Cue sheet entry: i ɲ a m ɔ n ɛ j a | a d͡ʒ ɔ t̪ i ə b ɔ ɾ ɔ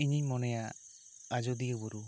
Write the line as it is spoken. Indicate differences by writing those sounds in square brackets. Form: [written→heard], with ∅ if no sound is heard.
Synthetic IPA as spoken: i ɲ [a→i] m ɔ n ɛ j a | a d͡ʒ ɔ [t̪→d̪] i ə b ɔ ɾ [ɔ→u]